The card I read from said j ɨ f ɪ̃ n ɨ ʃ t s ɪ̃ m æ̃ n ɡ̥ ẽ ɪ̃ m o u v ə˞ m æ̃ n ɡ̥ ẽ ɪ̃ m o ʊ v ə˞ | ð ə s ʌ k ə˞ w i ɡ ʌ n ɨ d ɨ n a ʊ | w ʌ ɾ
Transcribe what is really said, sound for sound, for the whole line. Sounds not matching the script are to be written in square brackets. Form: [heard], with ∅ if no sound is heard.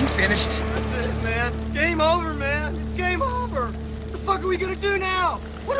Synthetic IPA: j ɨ f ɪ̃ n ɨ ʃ t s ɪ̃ m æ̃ n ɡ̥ ẽ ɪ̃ m o [ʊ] v ə˞ m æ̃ n ɡ̥ ẽ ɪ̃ m o ʊ v ə˞ | ð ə [f] ʌ k ə˞ w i ɡ ʌ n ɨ d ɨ n a ʊ | w ʌ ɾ